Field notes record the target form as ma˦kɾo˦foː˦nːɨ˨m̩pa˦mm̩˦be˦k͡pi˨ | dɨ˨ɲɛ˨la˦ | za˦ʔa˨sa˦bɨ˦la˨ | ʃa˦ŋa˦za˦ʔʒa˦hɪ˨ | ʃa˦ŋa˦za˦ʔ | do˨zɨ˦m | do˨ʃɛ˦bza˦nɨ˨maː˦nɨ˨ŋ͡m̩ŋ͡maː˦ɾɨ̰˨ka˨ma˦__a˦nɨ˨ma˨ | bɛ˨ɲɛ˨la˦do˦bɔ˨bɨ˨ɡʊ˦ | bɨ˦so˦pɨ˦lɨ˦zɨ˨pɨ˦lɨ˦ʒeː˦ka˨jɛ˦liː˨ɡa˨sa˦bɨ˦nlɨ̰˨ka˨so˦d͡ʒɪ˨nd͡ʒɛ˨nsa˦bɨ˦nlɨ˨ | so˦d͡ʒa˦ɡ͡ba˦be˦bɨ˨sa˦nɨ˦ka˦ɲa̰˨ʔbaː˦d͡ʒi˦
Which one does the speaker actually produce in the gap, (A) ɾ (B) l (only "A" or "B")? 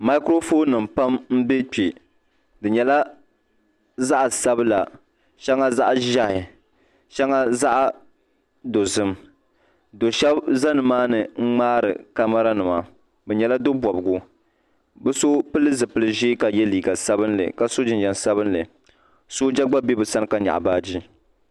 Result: A